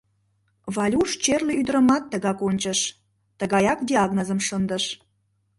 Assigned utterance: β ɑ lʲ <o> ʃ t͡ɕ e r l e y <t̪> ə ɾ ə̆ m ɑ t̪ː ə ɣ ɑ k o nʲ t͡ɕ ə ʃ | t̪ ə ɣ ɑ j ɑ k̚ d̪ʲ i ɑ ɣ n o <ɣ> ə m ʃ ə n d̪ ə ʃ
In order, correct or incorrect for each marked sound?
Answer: incorrect, incorrect, incorrect

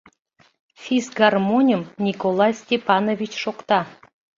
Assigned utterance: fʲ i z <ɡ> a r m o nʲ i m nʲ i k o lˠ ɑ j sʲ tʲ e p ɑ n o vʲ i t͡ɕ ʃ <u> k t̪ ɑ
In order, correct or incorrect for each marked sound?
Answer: correct, incorrect

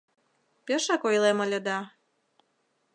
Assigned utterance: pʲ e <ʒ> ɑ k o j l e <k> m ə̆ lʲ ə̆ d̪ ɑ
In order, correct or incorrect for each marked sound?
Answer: incorrect, incorrect

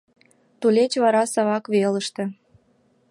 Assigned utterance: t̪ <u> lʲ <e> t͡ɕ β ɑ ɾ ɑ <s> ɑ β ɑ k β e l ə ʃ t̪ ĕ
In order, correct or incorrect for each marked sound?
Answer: correct, correct, correct

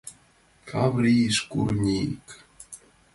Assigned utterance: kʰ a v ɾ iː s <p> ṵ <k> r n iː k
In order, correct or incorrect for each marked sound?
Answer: incorrect, incorrect

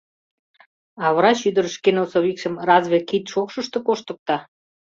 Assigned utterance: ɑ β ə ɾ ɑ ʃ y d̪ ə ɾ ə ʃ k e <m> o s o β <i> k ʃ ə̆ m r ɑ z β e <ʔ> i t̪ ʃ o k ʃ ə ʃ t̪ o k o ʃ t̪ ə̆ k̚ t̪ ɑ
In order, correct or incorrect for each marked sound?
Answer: incorrect, correct, incorrect

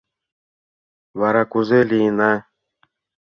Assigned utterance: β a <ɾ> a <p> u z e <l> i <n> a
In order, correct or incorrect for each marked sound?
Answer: correct, incorrect, correct, correct

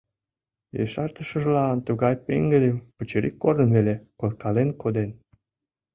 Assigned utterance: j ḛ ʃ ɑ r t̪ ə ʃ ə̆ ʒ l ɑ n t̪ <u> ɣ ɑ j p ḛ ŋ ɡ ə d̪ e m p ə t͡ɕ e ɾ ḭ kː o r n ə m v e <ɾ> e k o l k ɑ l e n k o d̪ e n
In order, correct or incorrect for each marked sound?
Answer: correct, incorrect

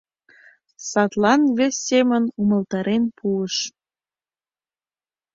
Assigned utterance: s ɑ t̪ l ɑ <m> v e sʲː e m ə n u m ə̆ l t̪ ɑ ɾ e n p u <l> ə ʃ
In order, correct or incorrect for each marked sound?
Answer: incorrect, incorrect

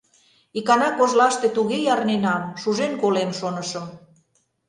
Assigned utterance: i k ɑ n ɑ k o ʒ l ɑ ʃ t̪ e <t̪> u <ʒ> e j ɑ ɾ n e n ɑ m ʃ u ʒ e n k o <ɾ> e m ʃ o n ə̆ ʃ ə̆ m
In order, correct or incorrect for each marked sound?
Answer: correct, incorrect, incorrect

